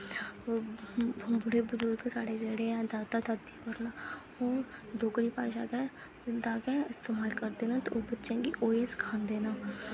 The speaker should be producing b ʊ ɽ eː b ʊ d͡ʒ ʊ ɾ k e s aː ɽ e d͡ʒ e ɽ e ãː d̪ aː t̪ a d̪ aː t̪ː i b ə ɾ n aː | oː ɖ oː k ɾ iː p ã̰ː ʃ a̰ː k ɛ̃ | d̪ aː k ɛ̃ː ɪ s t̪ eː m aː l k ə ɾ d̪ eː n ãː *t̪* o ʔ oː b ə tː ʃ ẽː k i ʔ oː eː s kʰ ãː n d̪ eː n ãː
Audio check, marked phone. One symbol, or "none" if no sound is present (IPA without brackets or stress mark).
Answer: t̪